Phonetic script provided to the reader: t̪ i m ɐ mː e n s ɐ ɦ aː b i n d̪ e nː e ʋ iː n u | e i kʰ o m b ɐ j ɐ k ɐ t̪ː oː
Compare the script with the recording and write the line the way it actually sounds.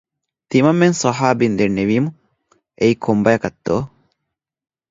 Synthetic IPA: t̪ i m ɐ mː e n s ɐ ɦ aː b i n d̪ e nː e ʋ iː m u | e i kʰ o m b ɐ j ɐ k ɐ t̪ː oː